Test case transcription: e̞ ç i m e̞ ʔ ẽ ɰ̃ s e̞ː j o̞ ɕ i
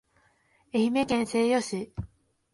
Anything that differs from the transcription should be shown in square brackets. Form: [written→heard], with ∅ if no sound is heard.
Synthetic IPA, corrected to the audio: e̞ ç i m e̞ [ʔ→k] ẽ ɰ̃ s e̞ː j o̞ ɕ i